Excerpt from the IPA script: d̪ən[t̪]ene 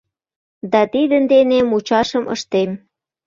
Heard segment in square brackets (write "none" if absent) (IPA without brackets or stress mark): d̪